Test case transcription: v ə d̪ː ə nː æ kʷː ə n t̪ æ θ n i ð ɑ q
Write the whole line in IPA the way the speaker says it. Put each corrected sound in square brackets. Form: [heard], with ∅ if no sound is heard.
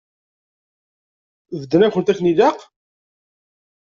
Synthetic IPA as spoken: v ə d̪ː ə [n] æ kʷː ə n t̪ æ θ n i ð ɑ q